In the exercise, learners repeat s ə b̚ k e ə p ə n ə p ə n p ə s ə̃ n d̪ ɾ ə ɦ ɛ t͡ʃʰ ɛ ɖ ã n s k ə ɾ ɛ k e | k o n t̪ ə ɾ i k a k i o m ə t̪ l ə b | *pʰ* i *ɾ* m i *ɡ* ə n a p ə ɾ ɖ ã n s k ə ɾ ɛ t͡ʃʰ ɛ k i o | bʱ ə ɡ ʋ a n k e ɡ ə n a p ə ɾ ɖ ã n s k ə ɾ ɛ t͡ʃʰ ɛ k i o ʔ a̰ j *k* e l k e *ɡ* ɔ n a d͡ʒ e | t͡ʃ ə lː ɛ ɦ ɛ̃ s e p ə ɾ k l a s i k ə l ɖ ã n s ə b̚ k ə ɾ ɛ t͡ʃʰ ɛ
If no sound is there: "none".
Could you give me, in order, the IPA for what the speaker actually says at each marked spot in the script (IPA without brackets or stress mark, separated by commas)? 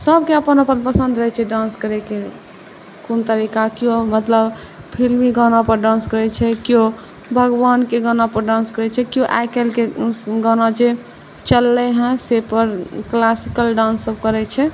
pʰ, l, ɡ, k, ɡ